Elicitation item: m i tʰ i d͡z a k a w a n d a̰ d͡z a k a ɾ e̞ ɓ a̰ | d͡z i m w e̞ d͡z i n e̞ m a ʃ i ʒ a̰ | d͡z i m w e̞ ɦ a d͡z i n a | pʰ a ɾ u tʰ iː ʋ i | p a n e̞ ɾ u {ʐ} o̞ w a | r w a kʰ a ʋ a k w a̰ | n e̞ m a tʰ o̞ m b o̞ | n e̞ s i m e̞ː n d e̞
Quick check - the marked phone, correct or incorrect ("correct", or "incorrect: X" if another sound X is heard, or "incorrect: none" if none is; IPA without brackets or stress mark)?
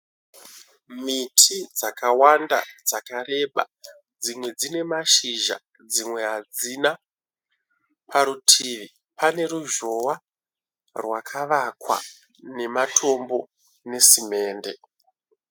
incorrect: ʒ